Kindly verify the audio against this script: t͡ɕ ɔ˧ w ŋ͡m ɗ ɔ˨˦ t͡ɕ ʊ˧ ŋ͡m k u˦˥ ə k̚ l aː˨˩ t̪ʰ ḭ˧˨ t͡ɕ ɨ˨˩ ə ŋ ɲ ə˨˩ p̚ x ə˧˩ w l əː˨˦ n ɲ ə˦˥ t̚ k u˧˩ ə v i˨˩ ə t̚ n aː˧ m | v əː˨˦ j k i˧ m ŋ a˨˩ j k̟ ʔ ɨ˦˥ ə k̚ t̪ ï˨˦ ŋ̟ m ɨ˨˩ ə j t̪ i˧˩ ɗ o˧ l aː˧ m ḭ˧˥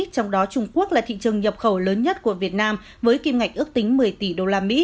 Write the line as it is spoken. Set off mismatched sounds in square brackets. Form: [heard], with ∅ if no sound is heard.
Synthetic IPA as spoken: t͡ɕ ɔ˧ w ŋ͡m ɗ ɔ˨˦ t͡ɕ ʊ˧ ŋ͡m k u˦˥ ə k̚ l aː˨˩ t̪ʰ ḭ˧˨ t͡ɕ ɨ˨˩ ə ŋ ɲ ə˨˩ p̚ x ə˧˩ w l əː˨˦ n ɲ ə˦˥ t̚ k u˧˩ ə v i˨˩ ə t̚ n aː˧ m | v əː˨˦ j k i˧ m ŋ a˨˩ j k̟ ʔ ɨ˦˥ ə k̚ t̪ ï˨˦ ŋ̟ m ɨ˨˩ ə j t̪ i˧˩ ɗ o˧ l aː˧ m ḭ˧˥